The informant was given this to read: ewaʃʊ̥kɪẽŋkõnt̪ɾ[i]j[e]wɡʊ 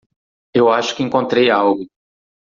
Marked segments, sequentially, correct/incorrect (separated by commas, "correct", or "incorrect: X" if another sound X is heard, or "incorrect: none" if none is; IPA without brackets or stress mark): incorrect: e, incorrect: a